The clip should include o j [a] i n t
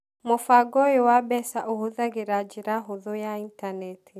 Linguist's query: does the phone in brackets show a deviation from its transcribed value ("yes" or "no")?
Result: no